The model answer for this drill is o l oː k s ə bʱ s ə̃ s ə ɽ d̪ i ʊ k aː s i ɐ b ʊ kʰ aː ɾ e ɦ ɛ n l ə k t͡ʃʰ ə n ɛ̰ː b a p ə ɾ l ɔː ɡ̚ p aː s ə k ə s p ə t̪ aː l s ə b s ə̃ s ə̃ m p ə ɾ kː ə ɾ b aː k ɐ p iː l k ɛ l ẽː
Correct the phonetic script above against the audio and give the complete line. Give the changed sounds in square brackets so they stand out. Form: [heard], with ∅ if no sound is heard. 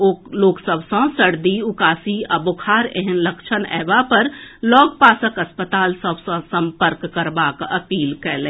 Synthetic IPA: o l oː k s ə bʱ s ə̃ s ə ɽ d̪ i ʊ k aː s i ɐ b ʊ kʰ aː ɾ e ɦ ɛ n l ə k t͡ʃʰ ə n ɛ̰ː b a p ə ɾ l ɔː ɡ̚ p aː s ə k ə s p ə t̪ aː l s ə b s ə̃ s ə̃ m p ə ɾ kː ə ɾ b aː k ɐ p iː l k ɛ l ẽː